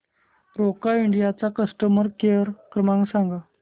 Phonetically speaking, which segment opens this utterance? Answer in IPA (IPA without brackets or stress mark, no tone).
ɾ